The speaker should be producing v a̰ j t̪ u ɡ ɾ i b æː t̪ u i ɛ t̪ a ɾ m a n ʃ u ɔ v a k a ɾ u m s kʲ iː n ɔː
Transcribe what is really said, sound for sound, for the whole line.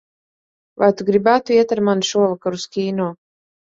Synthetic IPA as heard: v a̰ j t̪ u ɡ ɾ i b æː t̪ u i ɛ t̪ a ɾ m a n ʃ u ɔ v a k a ɾ u s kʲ iː n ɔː